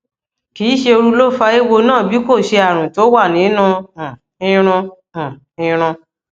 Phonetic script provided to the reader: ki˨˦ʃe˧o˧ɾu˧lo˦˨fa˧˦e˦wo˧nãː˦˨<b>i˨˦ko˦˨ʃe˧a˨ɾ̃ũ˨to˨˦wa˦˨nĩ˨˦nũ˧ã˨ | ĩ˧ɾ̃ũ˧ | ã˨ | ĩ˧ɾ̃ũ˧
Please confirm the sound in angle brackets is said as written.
yes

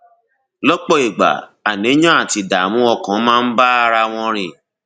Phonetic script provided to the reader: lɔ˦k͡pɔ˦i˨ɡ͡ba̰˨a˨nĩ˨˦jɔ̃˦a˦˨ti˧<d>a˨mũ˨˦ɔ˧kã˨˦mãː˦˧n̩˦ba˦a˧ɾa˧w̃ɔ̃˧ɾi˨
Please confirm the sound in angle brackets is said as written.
yes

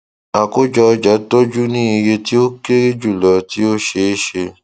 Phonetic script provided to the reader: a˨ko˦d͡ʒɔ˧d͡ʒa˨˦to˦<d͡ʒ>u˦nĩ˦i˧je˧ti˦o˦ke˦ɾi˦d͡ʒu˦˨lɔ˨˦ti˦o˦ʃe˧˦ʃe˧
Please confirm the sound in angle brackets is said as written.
yes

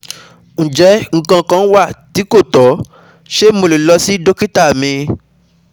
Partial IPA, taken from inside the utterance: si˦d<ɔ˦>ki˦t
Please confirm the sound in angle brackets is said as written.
no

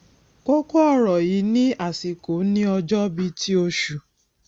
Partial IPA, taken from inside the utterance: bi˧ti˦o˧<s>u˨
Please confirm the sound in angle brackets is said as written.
no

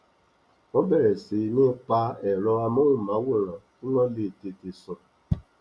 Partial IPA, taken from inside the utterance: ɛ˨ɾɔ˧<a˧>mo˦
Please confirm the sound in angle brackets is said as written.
yes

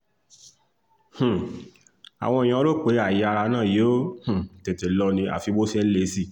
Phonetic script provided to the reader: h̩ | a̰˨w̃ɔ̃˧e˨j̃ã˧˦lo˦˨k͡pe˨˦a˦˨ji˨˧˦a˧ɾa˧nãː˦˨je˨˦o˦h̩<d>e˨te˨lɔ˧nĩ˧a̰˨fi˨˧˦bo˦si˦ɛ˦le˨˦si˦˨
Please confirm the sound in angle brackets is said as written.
no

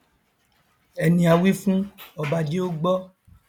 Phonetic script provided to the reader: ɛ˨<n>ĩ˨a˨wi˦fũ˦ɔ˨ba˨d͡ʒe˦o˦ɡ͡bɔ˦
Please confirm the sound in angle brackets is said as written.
yes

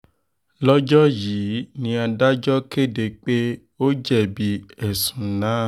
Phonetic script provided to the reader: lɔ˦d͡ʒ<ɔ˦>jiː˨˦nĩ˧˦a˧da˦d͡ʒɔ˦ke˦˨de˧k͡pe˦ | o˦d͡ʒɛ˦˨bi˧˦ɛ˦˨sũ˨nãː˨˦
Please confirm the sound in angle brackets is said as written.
yes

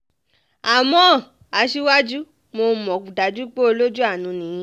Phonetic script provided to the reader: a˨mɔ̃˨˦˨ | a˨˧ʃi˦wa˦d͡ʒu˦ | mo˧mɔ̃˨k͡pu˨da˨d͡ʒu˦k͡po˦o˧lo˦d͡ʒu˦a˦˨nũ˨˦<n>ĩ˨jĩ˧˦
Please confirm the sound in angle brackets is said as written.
yes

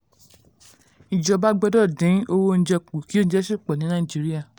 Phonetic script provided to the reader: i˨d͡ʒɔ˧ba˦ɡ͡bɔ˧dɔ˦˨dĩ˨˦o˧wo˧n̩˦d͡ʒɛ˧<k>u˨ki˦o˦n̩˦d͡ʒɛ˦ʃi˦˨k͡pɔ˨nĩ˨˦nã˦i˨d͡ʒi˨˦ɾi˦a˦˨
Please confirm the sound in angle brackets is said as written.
no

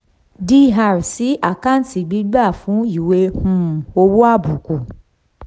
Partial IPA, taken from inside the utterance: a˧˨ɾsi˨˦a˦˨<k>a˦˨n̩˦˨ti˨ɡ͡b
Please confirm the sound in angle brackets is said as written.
yes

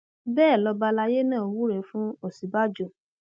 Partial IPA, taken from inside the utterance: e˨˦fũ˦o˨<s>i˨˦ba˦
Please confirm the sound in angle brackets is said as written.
yes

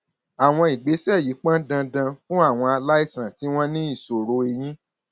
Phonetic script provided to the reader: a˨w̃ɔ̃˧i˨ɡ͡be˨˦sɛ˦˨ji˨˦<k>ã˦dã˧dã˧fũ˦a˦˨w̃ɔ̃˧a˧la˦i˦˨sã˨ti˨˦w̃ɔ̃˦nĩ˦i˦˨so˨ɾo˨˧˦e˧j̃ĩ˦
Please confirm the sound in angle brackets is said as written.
no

